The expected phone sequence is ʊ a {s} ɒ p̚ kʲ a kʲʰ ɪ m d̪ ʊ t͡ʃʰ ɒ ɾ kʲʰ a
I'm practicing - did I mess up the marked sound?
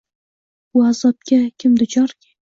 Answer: yes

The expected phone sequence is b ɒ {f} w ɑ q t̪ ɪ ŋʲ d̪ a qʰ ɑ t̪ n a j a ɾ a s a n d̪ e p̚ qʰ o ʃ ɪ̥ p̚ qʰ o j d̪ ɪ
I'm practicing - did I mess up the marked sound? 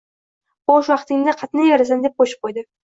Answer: yes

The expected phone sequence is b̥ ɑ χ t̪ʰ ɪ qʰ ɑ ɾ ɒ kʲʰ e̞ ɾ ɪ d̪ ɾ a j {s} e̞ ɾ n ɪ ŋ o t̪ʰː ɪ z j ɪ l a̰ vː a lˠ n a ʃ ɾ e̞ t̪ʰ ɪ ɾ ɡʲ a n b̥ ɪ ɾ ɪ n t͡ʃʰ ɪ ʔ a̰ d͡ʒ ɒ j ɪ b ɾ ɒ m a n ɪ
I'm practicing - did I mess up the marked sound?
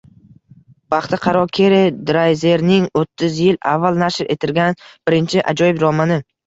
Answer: yes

